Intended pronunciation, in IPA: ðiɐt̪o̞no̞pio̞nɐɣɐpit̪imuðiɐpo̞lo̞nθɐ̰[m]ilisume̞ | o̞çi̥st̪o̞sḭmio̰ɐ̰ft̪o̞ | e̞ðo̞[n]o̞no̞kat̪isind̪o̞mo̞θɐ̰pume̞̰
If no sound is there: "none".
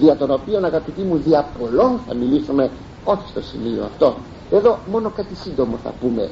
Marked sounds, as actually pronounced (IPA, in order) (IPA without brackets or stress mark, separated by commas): m, m